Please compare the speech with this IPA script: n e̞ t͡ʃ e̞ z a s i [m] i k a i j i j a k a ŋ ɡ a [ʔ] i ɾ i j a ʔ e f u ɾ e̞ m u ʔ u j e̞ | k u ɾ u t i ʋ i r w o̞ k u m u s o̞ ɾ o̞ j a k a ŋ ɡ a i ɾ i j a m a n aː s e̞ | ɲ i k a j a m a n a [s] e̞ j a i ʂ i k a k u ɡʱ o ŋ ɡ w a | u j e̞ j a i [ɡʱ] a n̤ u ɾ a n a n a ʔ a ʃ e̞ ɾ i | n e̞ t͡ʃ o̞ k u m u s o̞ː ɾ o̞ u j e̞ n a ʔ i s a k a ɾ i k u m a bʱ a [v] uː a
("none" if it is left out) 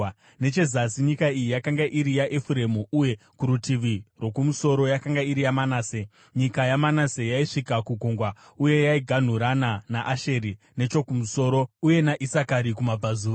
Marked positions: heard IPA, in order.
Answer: ɲ, ʔ, s, ɡʱ, z

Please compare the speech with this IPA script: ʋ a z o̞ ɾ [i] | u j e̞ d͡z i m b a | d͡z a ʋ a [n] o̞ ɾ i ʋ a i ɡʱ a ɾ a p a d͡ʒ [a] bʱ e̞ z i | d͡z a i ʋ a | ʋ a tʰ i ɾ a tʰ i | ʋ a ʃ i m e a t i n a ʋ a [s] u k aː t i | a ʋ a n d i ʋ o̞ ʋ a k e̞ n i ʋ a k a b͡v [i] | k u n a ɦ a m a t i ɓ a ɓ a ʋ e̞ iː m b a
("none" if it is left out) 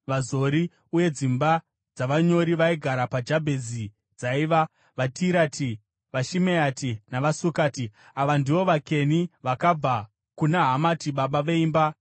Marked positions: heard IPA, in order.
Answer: i, ɲ, a, s, a

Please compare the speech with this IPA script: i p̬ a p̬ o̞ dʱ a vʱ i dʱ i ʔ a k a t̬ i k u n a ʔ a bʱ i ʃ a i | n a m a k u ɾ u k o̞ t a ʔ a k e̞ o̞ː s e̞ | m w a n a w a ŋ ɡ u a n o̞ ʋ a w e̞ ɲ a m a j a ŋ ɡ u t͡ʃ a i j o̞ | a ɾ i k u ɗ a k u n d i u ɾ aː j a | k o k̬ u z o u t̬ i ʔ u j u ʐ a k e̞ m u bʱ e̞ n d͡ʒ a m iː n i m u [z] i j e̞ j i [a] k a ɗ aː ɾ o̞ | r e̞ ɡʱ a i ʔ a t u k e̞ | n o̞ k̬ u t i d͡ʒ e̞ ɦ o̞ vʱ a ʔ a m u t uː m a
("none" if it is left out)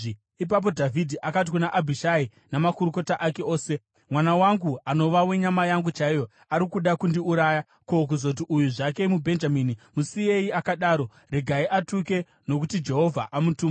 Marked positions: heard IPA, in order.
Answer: s, a

